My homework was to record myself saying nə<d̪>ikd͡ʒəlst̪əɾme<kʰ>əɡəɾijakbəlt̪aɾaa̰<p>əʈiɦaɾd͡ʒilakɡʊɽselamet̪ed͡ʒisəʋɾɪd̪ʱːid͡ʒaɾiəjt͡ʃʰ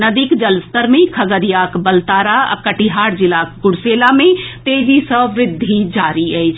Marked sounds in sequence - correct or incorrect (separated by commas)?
correct, correct, incorrect